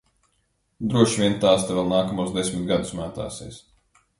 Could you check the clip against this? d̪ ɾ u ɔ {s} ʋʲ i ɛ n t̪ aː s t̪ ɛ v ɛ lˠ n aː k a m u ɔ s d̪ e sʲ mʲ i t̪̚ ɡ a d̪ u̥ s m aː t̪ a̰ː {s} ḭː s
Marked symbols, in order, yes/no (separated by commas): no, yes